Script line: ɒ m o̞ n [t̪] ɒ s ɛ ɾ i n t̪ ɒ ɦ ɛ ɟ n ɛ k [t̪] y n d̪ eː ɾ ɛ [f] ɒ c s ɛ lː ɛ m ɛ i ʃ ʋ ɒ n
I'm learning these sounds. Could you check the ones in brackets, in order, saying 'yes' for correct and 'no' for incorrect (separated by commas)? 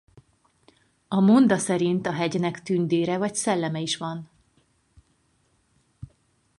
no, yes, no